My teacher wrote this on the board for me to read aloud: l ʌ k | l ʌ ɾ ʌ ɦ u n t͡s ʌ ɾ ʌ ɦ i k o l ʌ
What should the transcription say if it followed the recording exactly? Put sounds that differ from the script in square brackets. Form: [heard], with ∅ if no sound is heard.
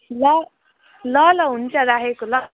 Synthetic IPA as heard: l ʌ [∅] | l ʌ [l] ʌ ɦ u n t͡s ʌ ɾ [a] ɦ [e] k o l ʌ